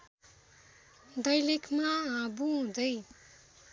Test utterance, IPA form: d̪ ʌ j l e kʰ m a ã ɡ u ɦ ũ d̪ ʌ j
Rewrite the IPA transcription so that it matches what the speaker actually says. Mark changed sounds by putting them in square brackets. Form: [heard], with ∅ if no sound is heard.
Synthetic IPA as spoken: d̪ ʌ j l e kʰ m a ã [b] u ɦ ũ d̪ ʌ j

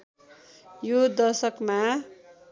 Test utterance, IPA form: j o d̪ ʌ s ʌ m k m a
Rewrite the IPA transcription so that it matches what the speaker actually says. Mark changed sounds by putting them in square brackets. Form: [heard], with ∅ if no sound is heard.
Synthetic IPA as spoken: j o d̪ ʌ s ʌ [∅] k m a

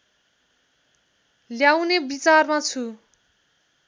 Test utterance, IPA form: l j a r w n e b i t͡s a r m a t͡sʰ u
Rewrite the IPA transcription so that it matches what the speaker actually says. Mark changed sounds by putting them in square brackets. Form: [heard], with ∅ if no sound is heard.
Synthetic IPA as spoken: l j a [∅] w n e b i t͡s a r m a t͡sʰ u

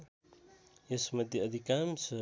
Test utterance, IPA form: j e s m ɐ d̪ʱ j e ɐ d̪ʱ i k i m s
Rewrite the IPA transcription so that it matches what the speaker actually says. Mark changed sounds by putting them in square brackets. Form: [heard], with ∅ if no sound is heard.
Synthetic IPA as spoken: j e s m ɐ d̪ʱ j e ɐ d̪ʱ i k [a] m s

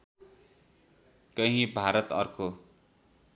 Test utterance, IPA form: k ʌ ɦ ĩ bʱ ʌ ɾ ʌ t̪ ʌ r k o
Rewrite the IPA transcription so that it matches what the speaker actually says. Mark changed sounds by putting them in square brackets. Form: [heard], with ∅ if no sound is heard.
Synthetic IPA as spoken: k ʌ ɦ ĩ bʱ [a] ɾ ʌ t̪ ʌ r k o

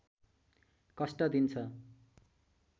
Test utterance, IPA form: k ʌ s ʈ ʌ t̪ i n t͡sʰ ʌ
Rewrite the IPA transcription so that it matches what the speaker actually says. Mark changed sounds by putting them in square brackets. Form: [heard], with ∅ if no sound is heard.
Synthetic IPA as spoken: k ʌ s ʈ ʌ [d̪] i n t͡sʰ ʌ

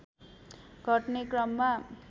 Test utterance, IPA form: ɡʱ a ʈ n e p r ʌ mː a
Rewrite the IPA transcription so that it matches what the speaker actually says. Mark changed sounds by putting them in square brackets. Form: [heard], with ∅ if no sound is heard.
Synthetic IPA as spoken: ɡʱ [ʌ] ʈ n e [k] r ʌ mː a

